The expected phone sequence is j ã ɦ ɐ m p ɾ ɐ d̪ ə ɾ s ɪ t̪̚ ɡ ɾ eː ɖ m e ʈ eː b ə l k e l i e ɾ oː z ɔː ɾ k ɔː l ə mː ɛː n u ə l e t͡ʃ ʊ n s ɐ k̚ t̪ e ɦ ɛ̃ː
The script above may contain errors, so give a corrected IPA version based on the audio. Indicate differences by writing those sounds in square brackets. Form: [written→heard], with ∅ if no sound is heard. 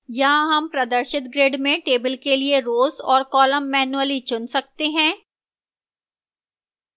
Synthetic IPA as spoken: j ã ɦ ɐ m p ɾ ɐ d̪ ə ɾ [s→ʃ] ɪ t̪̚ ɡ ɾ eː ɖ m [e→ẽ] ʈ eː b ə l k e l i e ɾ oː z ɔː ɾ k ɔː l ə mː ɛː n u ə l [e→i] t͡ʃ ʊ n s ɐ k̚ t̪ e ɦ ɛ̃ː